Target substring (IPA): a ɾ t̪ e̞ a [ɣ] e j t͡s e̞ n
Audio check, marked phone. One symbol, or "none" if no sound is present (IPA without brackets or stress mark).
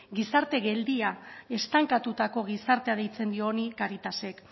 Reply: ð